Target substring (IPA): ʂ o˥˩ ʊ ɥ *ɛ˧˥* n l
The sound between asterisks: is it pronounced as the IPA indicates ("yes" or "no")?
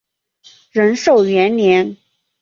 yes